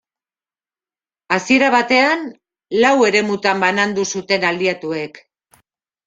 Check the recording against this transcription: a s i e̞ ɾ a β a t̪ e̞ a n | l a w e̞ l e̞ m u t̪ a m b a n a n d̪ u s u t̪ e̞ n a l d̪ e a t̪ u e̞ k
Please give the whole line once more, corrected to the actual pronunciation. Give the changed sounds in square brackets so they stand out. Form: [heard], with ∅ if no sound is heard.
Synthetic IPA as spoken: a s i e̞ ɾ a β a t̪ e̞ a n | l a w e̞ [ɾ] e̞ m u t̪ a m b a n a n d̪ u s u t̪ e̞ n a l d̪ [i] a t̪ u e̞ k